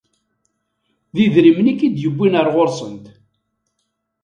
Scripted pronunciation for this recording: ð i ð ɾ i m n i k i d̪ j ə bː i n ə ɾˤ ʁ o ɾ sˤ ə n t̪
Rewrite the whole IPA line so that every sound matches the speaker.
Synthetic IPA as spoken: ð i ð ɾ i m n i k i d̪ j ə bː i n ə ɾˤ ʁ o ɾ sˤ ə n t̪